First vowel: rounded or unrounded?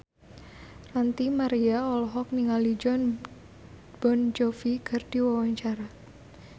unrounded